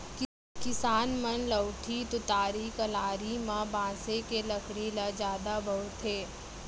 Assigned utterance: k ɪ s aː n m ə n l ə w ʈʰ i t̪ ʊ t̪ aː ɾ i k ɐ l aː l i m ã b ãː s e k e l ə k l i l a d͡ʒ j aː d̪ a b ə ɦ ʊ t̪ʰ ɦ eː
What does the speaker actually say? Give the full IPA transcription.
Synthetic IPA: k ɪ s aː n m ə n l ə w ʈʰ i t̪ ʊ t̪ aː ɾ i k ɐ l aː ɾ i m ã b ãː s e k e l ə k ɽ i l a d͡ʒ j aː d̪ a b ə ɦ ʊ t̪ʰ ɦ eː